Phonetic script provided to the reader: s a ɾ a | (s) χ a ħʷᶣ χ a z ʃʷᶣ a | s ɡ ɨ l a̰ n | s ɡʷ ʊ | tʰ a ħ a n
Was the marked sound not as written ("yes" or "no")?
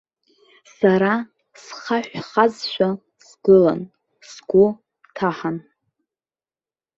no